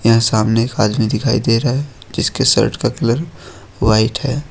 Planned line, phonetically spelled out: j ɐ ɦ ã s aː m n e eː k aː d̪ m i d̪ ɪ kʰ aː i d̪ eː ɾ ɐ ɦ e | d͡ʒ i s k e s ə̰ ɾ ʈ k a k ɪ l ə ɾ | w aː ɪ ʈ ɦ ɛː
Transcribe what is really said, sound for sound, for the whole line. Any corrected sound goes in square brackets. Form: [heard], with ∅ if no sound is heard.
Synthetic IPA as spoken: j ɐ ɦ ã s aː m n e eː k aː d̪ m i d̪ ɪ kʰ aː i d̪ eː ɾ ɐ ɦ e | d͡ʒ [ɪ] s k e s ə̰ ɾ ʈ k a k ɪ l ə ɾ | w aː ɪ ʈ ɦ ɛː